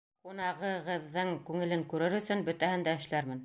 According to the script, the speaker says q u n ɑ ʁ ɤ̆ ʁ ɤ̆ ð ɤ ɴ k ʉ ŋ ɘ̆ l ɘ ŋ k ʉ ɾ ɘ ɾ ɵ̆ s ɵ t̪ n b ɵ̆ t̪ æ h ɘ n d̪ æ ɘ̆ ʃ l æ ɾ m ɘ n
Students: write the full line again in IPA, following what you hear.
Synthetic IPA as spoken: q u n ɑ ʁ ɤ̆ ʁ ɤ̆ ðː ɤ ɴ k ʉ ŋ ɘ̆ l ɘ ŋ k ʉ ɾ ɘ ɾ ɵ̆ s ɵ n b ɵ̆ t̪ æ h ɘ n d̪ æ ɘ̆ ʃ l æ ɾ m ɘ n